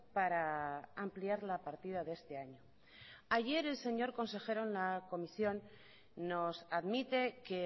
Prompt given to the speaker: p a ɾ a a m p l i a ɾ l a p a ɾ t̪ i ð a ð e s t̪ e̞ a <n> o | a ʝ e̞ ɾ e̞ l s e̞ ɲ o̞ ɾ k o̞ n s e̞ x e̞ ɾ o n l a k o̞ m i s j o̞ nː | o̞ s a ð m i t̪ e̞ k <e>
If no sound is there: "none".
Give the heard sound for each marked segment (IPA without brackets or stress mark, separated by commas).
ɲ, e